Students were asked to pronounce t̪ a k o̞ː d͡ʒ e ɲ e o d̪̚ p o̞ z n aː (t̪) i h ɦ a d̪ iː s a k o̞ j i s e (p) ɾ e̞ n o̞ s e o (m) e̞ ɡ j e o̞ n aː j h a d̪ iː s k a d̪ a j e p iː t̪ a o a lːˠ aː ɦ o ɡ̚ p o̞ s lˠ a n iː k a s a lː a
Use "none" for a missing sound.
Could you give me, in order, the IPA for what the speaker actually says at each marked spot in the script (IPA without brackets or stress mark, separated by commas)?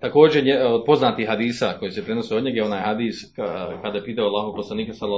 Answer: t̪, p, ɲ